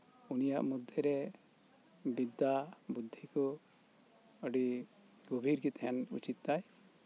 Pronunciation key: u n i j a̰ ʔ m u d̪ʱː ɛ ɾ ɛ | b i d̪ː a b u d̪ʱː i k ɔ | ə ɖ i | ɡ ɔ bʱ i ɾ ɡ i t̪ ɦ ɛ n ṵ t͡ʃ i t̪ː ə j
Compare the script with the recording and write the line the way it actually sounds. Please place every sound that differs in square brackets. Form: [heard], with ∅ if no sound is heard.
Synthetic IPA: u n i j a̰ ʔ m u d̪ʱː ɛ ɾ ɛ | b i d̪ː a b u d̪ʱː i k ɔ | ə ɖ i | ɡ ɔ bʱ i ɾ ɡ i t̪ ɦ ɛ n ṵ t͡ʃ i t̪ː [a] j